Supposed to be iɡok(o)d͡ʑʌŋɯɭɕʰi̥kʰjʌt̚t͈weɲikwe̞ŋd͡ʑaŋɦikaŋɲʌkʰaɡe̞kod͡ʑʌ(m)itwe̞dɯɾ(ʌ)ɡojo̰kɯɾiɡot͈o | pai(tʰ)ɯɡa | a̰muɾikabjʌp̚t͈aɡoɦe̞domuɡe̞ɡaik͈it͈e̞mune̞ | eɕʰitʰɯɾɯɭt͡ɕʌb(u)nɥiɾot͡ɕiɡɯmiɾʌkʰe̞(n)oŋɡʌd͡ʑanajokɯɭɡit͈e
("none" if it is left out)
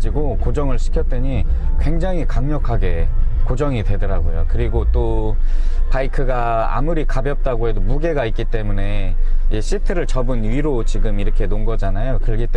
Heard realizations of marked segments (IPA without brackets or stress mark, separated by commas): o, ŋ, a, kʰ, ɯ, n